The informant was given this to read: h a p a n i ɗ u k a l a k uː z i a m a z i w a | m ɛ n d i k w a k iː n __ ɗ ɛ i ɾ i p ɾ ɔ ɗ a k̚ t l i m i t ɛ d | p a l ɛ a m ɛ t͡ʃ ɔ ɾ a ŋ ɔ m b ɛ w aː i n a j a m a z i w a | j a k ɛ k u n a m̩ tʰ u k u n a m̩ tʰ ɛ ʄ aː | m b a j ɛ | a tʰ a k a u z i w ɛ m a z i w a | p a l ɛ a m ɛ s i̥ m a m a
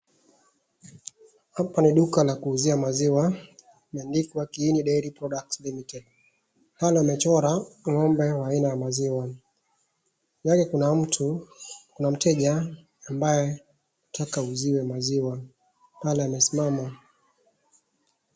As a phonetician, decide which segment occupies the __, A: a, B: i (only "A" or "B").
B